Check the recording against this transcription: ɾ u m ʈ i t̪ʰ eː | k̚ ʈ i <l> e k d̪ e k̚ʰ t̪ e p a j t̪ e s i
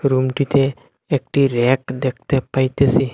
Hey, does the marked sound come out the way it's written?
no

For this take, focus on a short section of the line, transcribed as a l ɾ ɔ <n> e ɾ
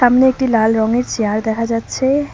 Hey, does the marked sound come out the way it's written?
no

